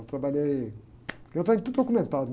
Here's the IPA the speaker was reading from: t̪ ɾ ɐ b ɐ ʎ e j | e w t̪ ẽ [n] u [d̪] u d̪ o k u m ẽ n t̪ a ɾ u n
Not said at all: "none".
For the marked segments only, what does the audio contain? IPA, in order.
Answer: ɲ, t̪

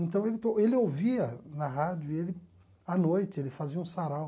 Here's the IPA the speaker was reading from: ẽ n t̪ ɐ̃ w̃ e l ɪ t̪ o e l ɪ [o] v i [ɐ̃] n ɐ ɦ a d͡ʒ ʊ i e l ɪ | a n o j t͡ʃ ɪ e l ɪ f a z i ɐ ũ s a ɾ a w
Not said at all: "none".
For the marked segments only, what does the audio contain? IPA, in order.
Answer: o, ɐ

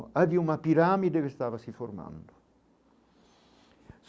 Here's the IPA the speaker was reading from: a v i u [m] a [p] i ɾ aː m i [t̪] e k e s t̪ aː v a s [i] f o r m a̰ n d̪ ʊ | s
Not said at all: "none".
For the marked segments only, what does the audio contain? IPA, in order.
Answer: m, p, d̪, i

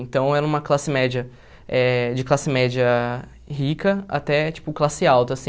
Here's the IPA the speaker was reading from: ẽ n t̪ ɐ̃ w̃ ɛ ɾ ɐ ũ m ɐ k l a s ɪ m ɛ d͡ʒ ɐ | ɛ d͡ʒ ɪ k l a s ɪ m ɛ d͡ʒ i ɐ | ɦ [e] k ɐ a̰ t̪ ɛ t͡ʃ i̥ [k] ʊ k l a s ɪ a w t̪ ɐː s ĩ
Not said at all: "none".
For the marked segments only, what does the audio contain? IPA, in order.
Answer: i, p

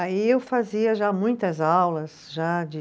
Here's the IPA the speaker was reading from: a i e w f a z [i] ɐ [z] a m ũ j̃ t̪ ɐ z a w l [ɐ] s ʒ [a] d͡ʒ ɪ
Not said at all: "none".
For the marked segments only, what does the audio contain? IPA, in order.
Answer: i, ʒ, ɐ, a

